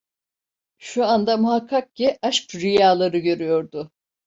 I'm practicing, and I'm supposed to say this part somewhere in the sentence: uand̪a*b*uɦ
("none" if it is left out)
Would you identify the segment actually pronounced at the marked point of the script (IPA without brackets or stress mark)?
m